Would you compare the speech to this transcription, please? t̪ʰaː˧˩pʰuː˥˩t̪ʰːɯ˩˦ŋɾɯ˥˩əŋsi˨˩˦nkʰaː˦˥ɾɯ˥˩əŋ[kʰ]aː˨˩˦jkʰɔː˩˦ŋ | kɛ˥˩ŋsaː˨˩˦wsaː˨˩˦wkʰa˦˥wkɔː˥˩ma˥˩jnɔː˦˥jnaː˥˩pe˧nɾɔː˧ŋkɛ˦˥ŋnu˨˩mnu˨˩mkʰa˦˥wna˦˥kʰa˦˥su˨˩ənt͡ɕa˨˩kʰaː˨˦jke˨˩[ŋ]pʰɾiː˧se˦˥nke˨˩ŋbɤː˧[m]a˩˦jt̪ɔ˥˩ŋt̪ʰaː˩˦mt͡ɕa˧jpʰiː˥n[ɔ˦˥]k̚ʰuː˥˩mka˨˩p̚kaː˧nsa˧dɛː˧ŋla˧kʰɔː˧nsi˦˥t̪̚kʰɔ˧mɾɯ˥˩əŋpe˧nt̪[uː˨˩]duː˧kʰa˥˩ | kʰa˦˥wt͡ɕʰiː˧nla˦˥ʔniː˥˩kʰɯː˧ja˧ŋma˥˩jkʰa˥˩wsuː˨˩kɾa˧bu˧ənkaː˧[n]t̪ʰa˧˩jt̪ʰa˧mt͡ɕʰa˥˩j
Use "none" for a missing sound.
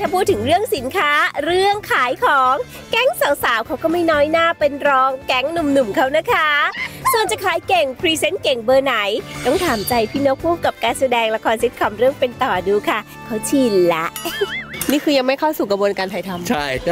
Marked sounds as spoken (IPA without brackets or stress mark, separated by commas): kʰ, ŋ, n, o˦˥, ɔː˨˩, n